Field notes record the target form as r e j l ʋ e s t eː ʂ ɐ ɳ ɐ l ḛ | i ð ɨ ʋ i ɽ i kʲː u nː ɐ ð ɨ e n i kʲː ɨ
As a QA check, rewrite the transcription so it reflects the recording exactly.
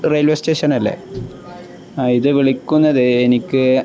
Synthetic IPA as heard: r e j l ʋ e s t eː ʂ ɐ n ɐ lː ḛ | i ð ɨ ʋ i ɭ i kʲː u nː ɐ ð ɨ e n i kʲː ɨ

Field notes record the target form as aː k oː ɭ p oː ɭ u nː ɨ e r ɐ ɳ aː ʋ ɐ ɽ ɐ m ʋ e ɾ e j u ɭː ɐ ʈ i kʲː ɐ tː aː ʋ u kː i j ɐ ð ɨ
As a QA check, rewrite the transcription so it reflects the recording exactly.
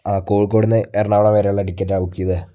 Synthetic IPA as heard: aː k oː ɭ k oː ɽ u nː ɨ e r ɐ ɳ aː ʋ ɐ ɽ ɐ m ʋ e ɾ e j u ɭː ɐ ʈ i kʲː ɐ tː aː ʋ u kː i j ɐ ð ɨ

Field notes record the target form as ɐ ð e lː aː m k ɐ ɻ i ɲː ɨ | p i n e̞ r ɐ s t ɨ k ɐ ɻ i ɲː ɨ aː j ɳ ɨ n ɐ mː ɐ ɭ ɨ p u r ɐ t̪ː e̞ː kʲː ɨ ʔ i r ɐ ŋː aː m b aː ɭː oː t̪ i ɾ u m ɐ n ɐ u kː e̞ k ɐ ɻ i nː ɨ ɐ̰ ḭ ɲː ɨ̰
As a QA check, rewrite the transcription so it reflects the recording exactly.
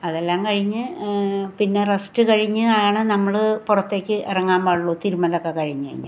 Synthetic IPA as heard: ɐ ð e lː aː m k ɐ ɻ i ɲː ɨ | p i nː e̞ r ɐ s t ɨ k ɐ ɻ i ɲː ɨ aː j ɳ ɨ n ɐ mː ɐ ɭ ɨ p u r ɐ t̪ː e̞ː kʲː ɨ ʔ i r ɐ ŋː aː m b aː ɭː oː t̪ i ɾ u m ɐ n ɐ o kː e̞ k ɐ ɻ i ɲː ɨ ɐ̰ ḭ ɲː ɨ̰

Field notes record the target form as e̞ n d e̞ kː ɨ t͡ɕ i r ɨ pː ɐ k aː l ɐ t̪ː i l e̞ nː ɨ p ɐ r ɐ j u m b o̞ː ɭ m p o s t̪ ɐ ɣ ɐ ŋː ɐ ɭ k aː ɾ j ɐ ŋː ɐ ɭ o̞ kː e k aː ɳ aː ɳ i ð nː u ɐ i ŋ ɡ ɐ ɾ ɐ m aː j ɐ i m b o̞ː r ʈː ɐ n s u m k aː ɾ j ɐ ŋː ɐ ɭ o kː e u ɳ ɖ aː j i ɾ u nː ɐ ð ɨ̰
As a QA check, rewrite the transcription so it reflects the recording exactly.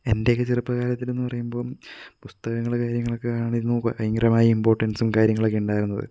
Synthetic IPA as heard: e̞ n d e̞ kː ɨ t͡ɕ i r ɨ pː ɐ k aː l ɐ t̪ː i l e̞ nː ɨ p ɐ r ɐ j u m b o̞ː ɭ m p u s t̪ ɐ ɣ ɐ ŋː ɐ ɭ k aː ɾ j ɐ ŋː ɐ ɭ o̞ kː e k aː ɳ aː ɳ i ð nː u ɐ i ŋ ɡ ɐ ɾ ɐ m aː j ɐ i m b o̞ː r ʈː ɐ n s u m k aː ɾ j ɐ ŋː ɐ ɭ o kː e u ɳ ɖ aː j i ɾ u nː ɐ ð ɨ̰

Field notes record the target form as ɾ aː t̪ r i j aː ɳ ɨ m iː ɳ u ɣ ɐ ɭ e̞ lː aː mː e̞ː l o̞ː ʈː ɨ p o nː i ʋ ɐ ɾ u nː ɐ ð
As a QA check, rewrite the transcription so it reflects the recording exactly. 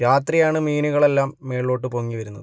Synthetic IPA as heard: ɾ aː t̪ r i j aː ɳ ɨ m iː n u ɣ ɐ ɭ e̞ lː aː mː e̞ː ɭ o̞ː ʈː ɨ p o ŋː i ʋ ɐ ɾ u nː ɐ ð

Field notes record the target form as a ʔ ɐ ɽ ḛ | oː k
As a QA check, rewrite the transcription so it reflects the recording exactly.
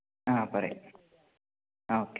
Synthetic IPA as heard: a p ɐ ɾ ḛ | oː k

